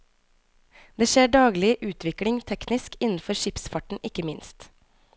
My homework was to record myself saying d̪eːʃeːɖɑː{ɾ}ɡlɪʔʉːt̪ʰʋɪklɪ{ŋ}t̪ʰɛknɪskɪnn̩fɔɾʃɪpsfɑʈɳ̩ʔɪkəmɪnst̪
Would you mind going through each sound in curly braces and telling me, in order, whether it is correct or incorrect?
incorrect: none, correct

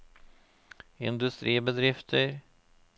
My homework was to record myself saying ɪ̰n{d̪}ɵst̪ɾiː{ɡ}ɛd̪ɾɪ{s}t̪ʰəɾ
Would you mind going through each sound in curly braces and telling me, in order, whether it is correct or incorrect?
correct, incorrect: b, incorrect: f

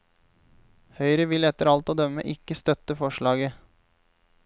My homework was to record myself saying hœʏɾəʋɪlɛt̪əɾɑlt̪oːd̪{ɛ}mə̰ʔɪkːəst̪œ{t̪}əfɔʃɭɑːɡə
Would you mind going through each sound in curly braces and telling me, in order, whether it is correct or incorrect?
incorrect: œ, correct

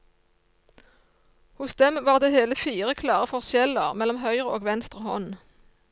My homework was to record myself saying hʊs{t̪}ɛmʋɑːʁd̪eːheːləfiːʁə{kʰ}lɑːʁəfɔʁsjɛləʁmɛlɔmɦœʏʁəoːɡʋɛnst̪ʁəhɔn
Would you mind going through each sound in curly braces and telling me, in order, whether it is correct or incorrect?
incorrect: d̪, correct

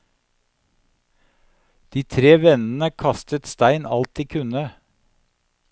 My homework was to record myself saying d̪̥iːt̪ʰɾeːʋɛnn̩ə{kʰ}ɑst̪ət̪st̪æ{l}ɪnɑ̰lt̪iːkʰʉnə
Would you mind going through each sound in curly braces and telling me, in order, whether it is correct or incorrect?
correct, incorrect: none

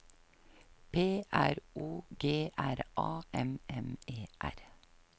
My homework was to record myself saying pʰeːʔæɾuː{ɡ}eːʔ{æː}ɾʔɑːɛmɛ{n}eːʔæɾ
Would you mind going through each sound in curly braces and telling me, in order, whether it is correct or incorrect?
correct, incorrect: æ, incorrect: m

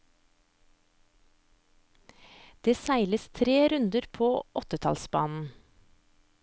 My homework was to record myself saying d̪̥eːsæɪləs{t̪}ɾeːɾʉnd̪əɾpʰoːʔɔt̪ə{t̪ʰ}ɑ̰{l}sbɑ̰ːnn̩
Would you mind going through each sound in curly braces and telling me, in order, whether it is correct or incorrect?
incorrect: t̪ʰ, correct, correct

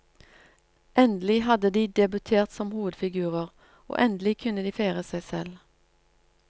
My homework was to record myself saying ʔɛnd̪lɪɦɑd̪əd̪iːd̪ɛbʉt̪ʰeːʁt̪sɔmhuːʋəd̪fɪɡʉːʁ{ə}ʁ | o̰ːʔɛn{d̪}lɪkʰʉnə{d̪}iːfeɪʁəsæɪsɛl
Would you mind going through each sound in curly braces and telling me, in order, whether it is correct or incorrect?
correct, correct, correct

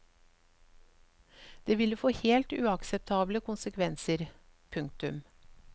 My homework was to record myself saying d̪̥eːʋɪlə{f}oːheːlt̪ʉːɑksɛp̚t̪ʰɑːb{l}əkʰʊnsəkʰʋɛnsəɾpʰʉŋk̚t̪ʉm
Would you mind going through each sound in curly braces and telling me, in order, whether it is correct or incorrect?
correct, correct

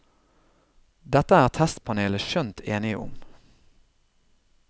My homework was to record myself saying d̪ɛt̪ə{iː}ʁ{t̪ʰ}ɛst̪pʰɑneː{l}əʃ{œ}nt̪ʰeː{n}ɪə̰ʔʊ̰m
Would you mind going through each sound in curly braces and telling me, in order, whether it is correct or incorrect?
incorrect: æː, correct, correct, correct, correct

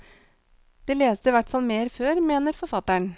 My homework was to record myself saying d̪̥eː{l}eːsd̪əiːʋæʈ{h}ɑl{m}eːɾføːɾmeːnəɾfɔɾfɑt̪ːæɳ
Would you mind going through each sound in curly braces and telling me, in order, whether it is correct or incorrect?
correct, incorrect: f, correct

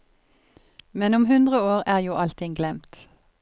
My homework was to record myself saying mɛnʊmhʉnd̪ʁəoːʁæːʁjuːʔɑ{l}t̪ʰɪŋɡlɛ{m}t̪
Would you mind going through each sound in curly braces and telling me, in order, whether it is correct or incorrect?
correct, correct

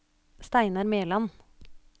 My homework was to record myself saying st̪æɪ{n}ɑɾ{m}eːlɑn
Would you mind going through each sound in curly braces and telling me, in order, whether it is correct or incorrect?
correct, correct

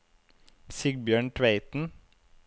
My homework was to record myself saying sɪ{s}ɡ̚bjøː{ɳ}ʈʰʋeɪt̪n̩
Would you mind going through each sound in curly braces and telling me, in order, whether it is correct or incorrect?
incorrect: none, correct

